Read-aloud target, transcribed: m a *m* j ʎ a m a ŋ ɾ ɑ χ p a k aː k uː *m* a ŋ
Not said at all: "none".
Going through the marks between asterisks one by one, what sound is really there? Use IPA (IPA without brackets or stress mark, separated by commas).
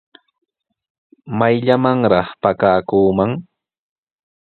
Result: none, m